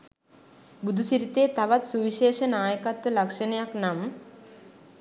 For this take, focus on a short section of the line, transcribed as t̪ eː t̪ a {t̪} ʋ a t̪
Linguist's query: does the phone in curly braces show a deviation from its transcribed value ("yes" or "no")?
yes